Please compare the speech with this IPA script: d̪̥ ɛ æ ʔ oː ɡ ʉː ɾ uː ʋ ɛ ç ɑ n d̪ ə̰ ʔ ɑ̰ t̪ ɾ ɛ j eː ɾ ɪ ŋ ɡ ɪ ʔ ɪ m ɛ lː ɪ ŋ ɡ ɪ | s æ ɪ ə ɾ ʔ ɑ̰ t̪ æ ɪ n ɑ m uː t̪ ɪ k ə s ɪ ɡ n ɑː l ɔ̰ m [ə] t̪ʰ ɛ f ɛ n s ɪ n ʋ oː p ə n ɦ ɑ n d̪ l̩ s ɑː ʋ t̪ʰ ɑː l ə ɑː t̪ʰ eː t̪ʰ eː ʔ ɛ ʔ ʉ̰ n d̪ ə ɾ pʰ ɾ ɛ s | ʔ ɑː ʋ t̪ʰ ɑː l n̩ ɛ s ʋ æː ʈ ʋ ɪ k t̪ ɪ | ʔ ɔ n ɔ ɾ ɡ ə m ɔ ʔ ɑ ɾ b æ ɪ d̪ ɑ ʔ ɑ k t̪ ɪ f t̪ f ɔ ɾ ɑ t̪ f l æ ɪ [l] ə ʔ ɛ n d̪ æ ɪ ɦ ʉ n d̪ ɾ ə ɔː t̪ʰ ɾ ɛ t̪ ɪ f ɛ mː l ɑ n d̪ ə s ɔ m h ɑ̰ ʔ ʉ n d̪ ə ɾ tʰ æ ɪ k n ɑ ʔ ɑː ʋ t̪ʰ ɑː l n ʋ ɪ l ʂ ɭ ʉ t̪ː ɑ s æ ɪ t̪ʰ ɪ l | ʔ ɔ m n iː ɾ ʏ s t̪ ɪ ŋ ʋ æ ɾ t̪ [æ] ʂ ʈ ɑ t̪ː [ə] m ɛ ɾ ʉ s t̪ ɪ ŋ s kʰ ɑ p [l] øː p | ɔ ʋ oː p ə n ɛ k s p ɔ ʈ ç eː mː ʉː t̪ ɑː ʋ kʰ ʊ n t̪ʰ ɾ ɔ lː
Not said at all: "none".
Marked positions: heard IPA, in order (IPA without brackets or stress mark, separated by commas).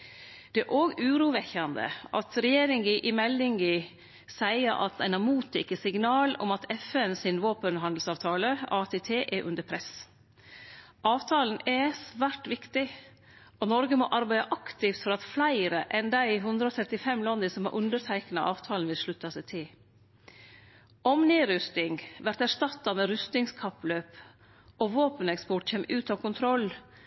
ɑ, ɾ, æ, ɑ, l